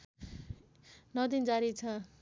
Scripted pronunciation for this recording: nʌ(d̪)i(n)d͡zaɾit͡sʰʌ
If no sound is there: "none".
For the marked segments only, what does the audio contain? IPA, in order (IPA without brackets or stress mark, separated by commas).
d̪, n